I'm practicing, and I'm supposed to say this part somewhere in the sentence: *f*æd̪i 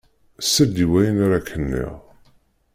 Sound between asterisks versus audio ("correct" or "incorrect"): incorrect